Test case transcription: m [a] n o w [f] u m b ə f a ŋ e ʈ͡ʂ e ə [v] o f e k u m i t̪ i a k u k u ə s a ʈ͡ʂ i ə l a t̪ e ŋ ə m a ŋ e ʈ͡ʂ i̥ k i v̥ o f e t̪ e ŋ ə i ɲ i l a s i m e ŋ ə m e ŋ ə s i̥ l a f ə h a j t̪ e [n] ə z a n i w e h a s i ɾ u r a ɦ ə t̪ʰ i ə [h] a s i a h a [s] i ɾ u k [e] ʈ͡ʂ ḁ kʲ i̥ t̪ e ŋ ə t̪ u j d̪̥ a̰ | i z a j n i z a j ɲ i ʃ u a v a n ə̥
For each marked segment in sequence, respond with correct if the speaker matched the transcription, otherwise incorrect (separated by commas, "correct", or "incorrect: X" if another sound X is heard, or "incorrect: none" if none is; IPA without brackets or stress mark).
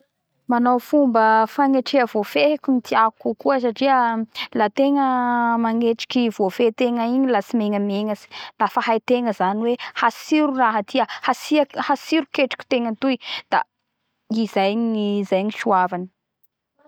correct, correct, correct, incorrect: ŋ, correct, correct, correct